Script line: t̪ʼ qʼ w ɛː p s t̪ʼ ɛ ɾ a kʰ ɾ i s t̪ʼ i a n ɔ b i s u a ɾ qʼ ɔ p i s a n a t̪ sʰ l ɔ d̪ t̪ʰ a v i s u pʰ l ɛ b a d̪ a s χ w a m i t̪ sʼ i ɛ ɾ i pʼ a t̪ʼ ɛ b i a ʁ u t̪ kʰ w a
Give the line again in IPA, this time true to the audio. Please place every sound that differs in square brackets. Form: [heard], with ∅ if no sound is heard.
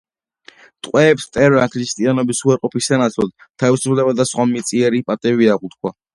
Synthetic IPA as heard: t̪ʼ qʼ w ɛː p s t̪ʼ ɛ ɾ a kʰ ɾ i s t̪ʼ i a n ɔ b i s u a ɾ qʼ ɔ p i s a n a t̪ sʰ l ɔ d̪ t̪ʰ a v i s u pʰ l ɛ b a d̪ a s χ w a m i t̪ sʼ i ɛ ɾ i pʼ a t̪ʼ ɛ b i a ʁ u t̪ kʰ w a

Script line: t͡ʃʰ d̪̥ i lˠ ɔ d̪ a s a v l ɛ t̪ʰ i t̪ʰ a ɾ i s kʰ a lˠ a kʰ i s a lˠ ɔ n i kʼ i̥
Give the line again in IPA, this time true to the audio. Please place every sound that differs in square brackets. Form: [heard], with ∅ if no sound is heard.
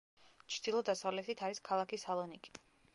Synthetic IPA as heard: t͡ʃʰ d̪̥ i lˠ ɔ d̪ a s a v l ɛ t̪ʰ i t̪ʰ a ɾ i s kʰ a lˠ a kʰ i s a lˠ ɔ n i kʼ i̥

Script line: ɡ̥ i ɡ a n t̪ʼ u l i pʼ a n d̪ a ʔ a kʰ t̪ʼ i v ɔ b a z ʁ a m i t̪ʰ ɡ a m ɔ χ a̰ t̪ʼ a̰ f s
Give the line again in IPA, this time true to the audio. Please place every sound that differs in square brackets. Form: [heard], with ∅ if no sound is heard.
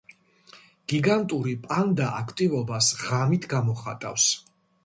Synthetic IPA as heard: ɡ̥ i ɡ a n t̪ʼ u [ɾ] i pʼ a n d̪ a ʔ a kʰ t̪ʼ i v ɔ b a [s] ʁ a m i t̪ʰ ɡ a m ɔ χ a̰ t̪ʼ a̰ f s

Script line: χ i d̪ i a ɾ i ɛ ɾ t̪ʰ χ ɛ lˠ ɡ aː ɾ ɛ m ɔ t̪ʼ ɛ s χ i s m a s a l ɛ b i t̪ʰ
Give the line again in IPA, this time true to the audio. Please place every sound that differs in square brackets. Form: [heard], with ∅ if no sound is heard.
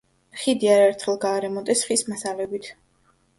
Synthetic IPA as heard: χ i d̪ i a ɾ [a] ɛ ɾ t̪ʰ χ ɛ lˠ ɡ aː ɾ ɛ m ɔ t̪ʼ ɛ s χ i s m a s a l ɛ b i t̪ʰ

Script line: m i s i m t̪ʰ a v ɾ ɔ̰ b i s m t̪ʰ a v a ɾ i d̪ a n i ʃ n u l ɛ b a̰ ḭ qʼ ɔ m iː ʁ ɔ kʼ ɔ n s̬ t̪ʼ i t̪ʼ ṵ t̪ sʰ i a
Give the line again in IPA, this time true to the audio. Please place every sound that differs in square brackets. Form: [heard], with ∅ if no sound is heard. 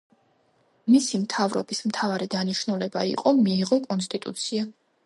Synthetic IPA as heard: m i s i m t̪ʰ a v ɾ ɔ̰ b i s m t̪ʰ a v a ɾ i d̪ a n i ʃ n u l ɛ b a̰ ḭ qʼ ɔ m iː ʁ ɔ kʼ ɔ n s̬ t̪ʼ i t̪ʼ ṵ t̪ sʰ i a

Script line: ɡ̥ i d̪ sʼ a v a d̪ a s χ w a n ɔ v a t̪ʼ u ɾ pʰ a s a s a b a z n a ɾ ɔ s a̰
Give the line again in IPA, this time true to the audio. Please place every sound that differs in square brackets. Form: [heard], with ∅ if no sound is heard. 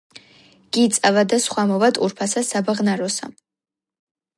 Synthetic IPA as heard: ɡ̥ i [t̪] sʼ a v a d̪ a s χ w a [m] ɔ v a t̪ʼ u ɾ pʰ a s a s a b a [ʁ] n a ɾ ɔ s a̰

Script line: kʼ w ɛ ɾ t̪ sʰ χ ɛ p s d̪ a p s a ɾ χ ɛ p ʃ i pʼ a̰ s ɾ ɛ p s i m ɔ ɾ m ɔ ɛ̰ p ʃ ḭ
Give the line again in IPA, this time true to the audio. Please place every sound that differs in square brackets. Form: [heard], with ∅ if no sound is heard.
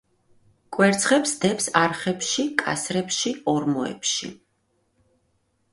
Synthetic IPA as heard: kʼ w ɛ ɾ t̪ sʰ χ ɛ p s d̪ [ɛ] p s a ɾ χ ɛ p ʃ i [kʼ] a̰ s ɾ ɛ p [ʃ] i [∅] ɔ ɾ m ɔ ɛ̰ p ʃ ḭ

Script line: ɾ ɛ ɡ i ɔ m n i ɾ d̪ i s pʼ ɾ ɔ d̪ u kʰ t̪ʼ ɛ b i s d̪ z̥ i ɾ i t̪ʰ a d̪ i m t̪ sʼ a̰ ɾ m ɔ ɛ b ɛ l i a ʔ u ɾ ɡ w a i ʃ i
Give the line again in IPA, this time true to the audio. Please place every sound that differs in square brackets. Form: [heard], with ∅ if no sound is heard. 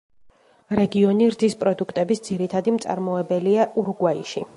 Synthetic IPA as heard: ɾ ɛ ɡ i ɔ [∅] n i ɾ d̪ i s pʼ ɾ ɔ d̪ u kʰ t̪ʼ ɛ b i s d̪ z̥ i ɾ i t̪ʰ a d̪ i m t̪ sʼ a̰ ɾ m ɔ ɛ b ɛ l i a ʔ u ɾ ɡ w a i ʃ i

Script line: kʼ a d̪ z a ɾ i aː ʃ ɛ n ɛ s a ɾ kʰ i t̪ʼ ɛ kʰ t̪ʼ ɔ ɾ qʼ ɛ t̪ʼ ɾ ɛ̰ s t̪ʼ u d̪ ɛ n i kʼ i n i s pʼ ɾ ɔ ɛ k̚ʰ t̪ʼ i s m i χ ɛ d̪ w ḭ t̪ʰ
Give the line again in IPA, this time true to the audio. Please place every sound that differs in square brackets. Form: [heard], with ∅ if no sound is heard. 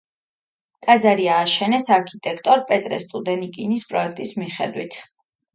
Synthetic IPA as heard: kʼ a d̪ z a ɾ i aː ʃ ɛ n ɛ s a ɾ kʰ i t̪ʼ ɛ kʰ t̪ʼ ɔ ɾ [pʼ] ɛ t̪ʼ ɾ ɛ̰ s t̪ʼ u d̪ ɛ n i kʼ i n i s pʼ ɾ ɔ ɛ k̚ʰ t̪ʼ i s m i χ ɛ d̪ w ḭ t̪ʰ

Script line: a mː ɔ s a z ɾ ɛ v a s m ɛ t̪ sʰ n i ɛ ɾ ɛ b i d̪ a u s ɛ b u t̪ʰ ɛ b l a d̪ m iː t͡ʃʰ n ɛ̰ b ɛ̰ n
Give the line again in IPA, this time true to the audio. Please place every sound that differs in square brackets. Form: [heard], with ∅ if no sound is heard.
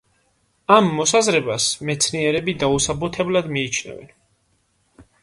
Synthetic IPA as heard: a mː ɔ s a z ɾ ɛ [b] a s m ɛ t̪ sʰ n i ɛ ɾ ɛ b i d̪ a u s [a] b u t̪ʰ ɛ b l a d̪ m iː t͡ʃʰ n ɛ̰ [v] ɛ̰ n

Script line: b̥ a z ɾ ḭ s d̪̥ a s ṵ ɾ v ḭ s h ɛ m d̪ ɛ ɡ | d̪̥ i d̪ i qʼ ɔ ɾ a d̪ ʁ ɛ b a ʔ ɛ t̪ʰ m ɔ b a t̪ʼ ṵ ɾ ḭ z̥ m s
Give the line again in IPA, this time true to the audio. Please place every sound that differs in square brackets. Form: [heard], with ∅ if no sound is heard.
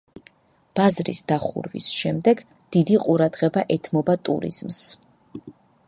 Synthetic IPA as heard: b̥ a z ɾ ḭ s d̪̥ a [χ] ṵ ɾ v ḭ s [ʃ] ɛ m d̪ ɛ ɡ | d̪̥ i d̪ i qʼ [u] ɾ a d̪ ʁ ɛ b a ʔ ɛ t̪ʰ m ɔ b a t̪ʼ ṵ ɾ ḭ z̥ m s

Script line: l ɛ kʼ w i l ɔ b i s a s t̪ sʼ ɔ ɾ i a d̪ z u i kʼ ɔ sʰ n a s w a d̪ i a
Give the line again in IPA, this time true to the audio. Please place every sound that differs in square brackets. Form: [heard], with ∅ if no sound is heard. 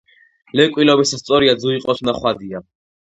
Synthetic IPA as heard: l ɛ kʼ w i l ɔ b i s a s t̪ sʼ ɔ ɾ i a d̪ z u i [qʼ] ɔ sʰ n a [χ] w a d̪ i a

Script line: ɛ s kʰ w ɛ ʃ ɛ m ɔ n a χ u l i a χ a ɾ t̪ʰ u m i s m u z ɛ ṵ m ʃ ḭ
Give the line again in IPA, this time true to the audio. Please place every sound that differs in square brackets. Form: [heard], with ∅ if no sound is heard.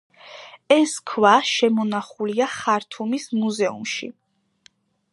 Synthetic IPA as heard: ɛ s kʰ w [a] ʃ ɛ m ɔ n a χ u l i a χ a ɾ t̪ʰ u m i s m u z ɛ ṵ m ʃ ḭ

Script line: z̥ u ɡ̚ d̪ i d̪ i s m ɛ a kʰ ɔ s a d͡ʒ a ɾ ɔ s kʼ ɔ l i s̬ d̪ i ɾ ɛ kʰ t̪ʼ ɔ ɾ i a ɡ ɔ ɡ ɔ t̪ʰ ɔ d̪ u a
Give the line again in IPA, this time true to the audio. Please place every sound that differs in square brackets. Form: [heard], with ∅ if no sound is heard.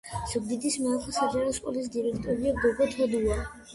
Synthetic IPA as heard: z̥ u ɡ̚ d̪ i d̪ i s m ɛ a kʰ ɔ s a d͡ʒ a ɾ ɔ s kʼ ɔ l i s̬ d̪ i ɾ ɛ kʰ t̪ʼ ɔ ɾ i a ɡ ɔ ɡ ɔ t̪ʰ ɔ d̪ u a

